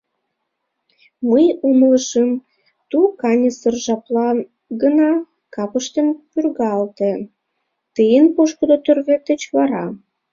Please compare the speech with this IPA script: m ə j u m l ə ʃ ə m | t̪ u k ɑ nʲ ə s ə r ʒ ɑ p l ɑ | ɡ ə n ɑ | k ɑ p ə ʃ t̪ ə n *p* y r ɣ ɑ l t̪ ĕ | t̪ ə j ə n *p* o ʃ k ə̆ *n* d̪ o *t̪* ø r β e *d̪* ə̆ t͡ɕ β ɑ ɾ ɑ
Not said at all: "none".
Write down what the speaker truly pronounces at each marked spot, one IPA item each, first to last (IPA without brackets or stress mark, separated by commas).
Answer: p, p, none, t̪, t̪